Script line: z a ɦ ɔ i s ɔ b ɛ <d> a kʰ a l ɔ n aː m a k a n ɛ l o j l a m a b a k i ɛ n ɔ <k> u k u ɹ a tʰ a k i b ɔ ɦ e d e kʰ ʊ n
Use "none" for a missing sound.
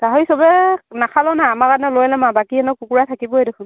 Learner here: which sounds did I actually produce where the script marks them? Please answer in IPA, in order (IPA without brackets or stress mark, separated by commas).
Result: n, k